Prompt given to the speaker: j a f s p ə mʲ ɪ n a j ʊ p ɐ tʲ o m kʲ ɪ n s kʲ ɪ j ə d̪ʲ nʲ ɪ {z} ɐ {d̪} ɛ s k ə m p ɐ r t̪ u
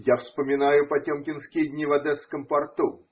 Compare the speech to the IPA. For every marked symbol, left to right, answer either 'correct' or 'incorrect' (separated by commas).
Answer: incorrect, correct